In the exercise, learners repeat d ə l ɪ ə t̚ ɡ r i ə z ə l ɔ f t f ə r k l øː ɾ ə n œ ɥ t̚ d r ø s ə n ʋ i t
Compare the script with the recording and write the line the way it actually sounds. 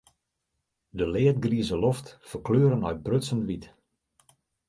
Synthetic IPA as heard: d ə l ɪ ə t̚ ɡ r i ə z ə l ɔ f t f ə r k l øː ɾ ə n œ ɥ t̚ b r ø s ə n ʋ i t

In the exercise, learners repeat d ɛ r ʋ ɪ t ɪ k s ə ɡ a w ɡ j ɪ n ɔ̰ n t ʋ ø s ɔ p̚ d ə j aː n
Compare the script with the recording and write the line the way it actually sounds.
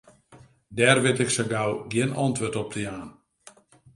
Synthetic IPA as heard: d ɛ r ʋ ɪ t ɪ k s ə ɡ a w ɡ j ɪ n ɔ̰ n t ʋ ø t ɔ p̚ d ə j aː n

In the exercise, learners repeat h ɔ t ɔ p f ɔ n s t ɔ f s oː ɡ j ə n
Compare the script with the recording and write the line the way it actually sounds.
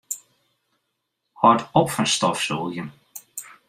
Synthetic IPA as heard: h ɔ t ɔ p f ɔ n s t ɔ f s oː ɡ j ə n

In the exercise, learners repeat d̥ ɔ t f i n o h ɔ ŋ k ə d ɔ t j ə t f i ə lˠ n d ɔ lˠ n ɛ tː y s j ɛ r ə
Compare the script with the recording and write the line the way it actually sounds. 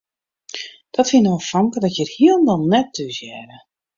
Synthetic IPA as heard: d̥ ɔ t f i n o f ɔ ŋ k ə d ɔ t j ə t h i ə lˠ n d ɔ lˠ n ɛ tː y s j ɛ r ə

